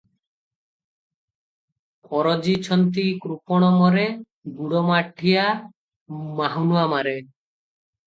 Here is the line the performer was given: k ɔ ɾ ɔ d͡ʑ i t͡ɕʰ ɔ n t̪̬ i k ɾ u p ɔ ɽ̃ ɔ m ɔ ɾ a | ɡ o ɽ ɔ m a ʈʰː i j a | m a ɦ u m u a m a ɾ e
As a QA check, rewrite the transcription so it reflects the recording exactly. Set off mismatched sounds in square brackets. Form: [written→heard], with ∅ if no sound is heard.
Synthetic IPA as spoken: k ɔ ɾ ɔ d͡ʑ i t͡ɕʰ ɔ n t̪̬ i k ɾ u p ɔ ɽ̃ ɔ m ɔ ɾ [a→e] | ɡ [o→u] ɽ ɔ m a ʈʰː i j a | m a ɦ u [m→n] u a m a ɾ e